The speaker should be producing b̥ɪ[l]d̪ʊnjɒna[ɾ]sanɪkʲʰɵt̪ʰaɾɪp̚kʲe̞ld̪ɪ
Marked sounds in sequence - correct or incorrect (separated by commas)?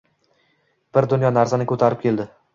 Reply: incorrect, correct